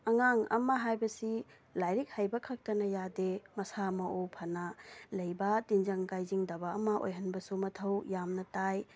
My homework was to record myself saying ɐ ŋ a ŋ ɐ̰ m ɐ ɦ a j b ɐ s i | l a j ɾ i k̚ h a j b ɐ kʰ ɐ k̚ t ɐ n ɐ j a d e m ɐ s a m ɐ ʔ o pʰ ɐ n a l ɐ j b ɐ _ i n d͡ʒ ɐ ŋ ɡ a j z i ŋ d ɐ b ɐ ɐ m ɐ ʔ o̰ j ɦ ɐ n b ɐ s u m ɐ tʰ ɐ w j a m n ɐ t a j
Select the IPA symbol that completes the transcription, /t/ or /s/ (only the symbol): t